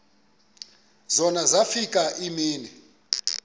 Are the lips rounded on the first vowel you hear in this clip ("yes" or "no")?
yes